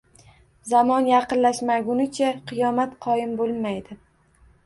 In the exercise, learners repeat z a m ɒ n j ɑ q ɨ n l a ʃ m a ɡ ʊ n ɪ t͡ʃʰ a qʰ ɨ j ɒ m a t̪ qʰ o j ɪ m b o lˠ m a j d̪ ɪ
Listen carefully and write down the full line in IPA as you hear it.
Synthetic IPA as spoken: z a m ɒ n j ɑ q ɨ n l a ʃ m a ɡ ʊ n ɪ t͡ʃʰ a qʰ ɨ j ɒ m a t̪ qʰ ɒ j ɪ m b o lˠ m a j d̪ ɪ